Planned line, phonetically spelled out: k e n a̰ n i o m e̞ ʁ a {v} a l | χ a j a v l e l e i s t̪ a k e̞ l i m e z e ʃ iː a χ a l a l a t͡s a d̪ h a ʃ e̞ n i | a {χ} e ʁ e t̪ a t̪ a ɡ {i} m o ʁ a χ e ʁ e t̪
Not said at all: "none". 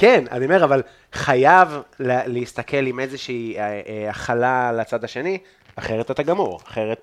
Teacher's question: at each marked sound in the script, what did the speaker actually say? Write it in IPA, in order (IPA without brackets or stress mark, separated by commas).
v, χ, a